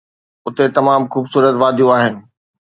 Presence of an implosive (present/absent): absent